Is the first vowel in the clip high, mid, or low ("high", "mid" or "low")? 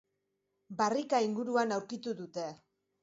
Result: low